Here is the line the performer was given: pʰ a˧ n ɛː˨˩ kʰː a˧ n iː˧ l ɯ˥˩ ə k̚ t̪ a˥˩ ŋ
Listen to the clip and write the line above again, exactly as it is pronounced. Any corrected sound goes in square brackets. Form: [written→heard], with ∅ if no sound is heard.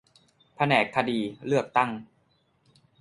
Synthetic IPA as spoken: pʰ a˧ n ɛː˨˩ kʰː a˧ [n→d] iː˧ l ɯ˥˩ ə k̚ t̪ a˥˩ ŋ